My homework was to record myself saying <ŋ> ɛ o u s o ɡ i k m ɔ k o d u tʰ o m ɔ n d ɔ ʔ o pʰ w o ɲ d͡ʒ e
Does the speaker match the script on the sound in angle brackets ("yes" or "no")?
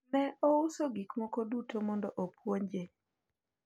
no